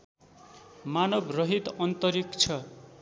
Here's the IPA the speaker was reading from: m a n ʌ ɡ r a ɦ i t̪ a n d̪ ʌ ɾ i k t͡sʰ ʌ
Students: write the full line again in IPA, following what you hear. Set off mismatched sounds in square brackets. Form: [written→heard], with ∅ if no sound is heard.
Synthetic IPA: m a n ʌ [ɡ→b] r [a→ʌ] ɦ i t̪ [a→ʌ] n [d̪→t̪] ʌ ɾ i k t͡sʰ ʌ